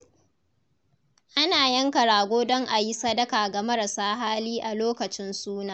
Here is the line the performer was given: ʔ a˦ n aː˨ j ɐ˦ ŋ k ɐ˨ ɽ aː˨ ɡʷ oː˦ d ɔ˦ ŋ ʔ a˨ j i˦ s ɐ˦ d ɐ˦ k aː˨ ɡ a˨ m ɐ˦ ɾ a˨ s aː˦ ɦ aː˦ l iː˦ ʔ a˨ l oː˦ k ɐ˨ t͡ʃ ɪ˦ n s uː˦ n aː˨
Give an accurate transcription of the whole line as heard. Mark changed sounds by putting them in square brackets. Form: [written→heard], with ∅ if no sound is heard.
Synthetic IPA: ʔ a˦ n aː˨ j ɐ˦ ŋ k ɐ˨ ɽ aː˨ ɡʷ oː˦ d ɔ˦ ŋ ʔ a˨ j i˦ s ɐ˦ d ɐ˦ k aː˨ ɡ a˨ m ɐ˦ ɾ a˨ s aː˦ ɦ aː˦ l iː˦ ʔ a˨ l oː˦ k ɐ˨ t͡ʃ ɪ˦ n s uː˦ n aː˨